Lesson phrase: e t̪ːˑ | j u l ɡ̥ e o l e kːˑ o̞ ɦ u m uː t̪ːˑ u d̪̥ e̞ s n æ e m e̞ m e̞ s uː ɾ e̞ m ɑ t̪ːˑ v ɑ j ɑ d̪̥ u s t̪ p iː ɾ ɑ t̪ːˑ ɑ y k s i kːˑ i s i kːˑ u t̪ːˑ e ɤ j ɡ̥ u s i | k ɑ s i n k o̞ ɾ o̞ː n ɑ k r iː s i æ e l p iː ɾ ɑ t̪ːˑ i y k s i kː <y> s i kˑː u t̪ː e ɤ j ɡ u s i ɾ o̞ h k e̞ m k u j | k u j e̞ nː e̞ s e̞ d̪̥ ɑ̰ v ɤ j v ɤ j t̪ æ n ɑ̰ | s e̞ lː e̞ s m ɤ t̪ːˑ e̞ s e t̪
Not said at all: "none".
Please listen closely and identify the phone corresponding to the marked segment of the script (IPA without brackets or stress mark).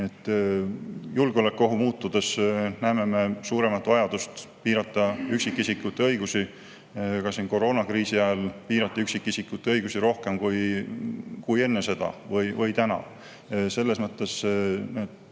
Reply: i